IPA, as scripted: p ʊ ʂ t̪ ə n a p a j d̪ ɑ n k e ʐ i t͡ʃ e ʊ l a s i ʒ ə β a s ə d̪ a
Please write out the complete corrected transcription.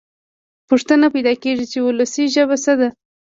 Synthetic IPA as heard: p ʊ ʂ t̪ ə n a p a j d̪ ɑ k e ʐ i t͡ʃ e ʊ l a s i ʒ ə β a s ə d̪ a